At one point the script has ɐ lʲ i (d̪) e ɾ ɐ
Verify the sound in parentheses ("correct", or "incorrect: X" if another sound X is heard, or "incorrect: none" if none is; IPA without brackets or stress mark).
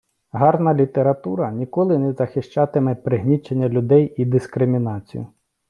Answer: incorrect: t̪